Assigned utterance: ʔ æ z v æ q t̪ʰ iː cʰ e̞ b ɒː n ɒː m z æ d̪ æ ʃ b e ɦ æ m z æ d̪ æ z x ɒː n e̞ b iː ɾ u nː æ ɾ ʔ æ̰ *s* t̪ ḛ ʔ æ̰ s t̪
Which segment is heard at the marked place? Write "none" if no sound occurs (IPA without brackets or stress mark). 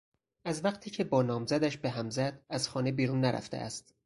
f